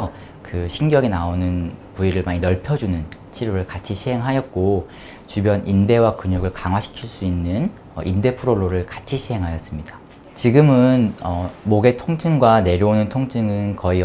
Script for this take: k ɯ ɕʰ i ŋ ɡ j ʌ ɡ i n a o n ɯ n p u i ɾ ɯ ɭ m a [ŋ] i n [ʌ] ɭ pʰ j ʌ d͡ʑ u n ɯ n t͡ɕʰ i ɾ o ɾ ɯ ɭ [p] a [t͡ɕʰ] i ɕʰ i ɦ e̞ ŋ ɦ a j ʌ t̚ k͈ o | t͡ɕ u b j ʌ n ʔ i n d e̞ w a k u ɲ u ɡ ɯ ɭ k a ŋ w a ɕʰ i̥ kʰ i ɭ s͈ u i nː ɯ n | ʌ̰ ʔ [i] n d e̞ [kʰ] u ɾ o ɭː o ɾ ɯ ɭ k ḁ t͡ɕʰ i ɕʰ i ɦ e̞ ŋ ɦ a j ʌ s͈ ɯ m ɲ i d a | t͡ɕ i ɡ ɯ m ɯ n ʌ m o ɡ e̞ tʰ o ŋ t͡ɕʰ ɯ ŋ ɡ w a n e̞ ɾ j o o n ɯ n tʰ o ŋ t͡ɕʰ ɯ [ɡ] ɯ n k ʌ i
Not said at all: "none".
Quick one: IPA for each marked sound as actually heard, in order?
ɲ, ʌ, k, t͡ɕʰ, i, pʰ, ŋ

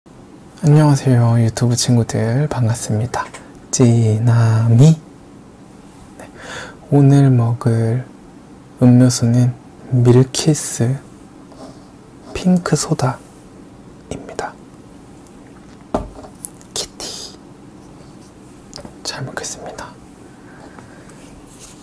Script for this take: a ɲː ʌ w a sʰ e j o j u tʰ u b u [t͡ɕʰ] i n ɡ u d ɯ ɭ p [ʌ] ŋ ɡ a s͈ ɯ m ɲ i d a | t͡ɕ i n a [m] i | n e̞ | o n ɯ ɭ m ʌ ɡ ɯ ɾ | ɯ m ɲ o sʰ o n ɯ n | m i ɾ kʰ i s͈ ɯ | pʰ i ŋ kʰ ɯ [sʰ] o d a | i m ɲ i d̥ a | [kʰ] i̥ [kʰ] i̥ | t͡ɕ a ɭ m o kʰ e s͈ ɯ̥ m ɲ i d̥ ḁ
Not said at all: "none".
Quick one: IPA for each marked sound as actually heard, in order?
t͡ɕʰ, a, m, sʰ, kʰ, tʰ

